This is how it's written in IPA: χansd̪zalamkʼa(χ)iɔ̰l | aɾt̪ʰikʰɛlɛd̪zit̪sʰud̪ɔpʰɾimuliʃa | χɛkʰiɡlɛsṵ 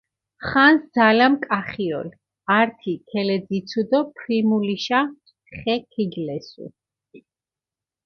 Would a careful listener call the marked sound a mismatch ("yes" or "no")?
no